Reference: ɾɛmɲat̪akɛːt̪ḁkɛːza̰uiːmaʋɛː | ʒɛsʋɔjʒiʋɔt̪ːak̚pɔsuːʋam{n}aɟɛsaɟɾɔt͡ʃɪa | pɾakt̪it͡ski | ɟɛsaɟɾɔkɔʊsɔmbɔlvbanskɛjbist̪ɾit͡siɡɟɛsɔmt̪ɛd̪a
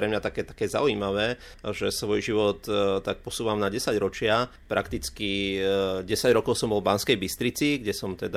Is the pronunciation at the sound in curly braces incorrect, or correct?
correct